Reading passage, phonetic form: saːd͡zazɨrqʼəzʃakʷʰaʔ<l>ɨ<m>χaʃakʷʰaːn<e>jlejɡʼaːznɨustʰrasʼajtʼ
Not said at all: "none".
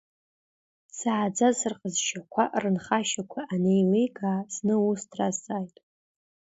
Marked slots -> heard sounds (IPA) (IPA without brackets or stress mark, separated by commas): r, n, e